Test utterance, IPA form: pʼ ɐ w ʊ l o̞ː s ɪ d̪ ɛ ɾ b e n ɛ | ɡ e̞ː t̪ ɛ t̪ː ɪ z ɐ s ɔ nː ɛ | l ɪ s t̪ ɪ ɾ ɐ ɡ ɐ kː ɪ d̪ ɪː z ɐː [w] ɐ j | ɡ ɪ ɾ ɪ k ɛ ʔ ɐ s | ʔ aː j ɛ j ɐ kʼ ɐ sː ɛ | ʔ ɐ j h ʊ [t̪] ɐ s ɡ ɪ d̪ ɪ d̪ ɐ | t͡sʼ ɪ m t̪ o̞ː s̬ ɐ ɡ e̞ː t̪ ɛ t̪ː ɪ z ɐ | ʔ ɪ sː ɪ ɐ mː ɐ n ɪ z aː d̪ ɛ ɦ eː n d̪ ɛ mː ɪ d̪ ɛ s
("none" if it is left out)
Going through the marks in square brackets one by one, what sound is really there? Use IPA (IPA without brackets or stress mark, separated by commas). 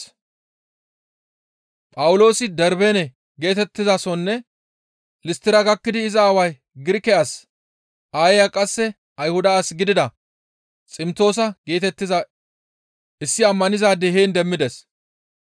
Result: w, d̪